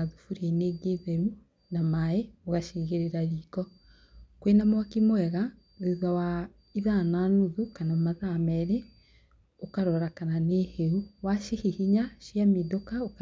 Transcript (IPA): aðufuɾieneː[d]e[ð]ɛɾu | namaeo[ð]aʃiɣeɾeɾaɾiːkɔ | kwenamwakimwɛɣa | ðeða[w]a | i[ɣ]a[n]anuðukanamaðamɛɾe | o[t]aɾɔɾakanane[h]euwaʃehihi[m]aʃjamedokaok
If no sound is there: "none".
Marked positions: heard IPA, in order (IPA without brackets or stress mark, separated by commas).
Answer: ɡ, ð, ɣ, w, ð, n, k, h, ɲ